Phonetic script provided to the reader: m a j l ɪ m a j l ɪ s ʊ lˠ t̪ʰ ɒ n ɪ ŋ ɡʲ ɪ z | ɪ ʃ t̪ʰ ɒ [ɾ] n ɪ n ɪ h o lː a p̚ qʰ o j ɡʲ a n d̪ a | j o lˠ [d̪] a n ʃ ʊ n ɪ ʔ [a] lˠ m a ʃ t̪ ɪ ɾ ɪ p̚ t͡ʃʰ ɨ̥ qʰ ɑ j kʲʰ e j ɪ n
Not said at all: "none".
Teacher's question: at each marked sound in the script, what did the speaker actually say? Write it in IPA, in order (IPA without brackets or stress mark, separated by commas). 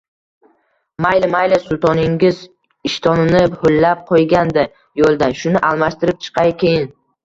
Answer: none, d̪, a